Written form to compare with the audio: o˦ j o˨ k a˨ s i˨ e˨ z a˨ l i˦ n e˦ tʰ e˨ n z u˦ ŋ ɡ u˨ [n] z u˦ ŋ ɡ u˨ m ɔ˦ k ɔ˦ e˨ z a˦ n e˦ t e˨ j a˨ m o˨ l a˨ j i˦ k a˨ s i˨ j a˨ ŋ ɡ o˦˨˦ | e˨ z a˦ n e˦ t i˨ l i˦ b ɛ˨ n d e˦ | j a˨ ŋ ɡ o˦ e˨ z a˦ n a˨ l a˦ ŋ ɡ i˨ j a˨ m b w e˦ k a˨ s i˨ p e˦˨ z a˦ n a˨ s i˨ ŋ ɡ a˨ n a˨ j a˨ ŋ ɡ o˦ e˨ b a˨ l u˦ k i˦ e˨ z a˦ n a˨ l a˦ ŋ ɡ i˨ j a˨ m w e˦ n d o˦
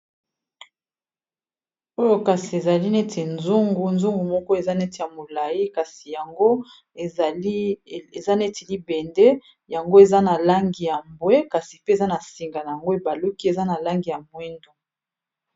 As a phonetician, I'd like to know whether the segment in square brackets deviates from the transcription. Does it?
no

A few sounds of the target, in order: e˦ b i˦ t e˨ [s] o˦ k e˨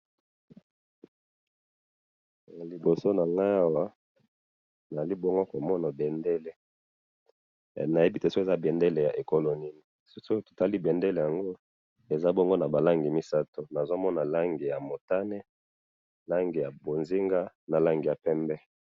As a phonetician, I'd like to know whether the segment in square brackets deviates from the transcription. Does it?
no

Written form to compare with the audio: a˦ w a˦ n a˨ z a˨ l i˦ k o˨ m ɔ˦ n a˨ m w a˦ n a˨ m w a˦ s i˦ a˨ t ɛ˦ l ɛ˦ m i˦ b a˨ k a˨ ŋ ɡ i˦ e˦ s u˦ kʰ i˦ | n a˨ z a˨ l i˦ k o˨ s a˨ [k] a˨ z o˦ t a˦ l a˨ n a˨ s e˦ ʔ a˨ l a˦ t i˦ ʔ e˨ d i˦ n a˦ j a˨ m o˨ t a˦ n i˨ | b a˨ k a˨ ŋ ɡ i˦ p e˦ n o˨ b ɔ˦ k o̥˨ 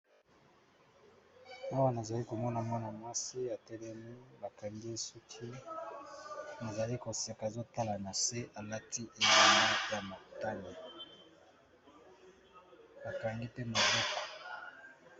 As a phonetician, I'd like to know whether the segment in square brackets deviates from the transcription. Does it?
no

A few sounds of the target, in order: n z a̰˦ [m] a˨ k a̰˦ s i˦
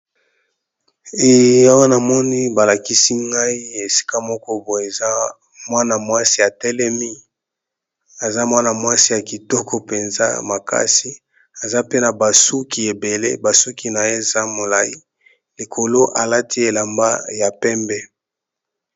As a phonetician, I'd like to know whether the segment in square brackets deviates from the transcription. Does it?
no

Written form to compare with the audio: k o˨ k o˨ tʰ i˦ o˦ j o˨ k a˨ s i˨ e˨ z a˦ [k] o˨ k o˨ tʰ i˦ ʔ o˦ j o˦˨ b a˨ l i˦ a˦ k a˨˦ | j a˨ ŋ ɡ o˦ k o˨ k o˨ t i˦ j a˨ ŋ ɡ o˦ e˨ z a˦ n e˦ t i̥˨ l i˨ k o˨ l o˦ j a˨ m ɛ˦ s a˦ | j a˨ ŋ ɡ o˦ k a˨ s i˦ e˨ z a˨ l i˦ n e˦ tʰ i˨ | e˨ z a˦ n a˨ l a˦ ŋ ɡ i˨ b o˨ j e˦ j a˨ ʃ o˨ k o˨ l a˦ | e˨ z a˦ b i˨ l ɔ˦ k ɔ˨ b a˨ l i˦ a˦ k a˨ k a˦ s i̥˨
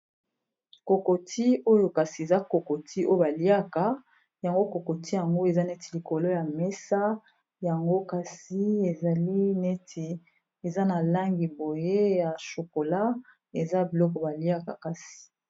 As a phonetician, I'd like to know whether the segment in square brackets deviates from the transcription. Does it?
no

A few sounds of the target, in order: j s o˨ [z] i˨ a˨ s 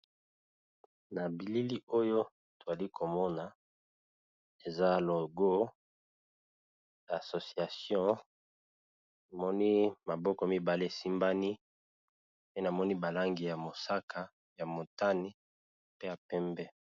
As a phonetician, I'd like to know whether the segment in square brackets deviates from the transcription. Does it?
yes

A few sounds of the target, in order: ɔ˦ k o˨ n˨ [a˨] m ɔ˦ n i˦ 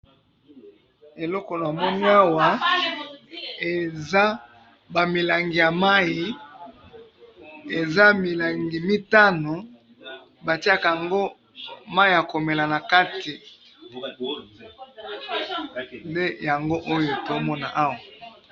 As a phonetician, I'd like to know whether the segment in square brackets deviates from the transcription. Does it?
no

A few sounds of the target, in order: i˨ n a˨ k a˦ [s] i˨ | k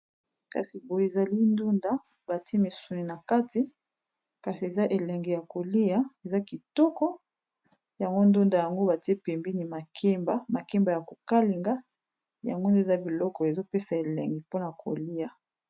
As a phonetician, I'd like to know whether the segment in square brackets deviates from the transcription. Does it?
yes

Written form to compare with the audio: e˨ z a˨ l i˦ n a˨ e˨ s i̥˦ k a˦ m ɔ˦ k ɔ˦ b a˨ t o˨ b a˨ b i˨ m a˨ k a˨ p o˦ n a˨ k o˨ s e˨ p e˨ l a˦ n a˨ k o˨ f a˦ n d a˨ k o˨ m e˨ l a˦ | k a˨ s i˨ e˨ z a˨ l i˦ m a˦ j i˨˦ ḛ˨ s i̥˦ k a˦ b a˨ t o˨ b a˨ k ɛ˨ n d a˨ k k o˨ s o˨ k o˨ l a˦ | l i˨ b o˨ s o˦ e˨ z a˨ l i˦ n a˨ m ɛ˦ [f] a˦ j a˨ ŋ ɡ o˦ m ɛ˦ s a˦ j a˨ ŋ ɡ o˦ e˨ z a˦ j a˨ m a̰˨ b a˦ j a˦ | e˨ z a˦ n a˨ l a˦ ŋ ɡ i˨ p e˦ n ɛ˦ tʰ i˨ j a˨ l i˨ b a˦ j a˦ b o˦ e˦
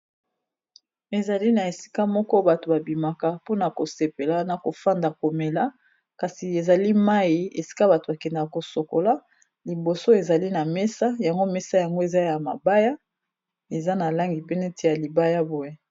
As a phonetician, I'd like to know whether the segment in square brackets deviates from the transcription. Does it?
yes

